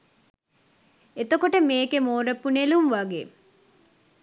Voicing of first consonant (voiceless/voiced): voiceless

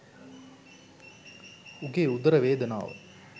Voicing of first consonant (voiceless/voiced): voiced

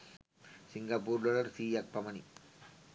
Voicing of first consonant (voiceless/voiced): voiceless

